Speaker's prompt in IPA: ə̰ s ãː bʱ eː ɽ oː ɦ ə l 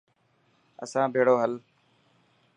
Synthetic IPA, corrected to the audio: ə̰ s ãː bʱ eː ɽ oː ɦ ə l